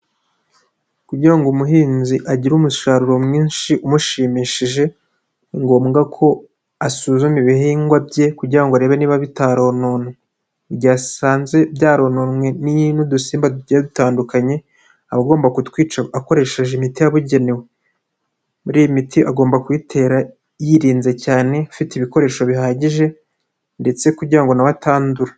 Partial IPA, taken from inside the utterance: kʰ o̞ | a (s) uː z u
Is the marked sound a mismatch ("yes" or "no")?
no